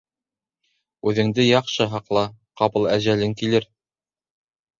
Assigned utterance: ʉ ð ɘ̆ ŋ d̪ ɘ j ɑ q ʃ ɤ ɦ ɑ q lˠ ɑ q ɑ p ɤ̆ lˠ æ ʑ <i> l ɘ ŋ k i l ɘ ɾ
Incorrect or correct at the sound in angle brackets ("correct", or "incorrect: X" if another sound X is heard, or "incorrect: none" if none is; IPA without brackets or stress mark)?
incorrect: æ